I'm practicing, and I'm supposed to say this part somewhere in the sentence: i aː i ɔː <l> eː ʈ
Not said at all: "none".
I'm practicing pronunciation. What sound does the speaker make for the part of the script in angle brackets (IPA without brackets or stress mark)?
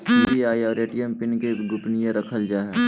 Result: ɾ